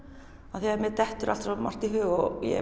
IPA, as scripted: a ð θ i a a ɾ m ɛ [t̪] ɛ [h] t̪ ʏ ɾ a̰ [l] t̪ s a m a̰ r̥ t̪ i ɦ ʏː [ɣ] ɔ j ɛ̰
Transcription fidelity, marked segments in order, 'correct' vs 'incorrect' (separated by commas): correct, correct, correct, correct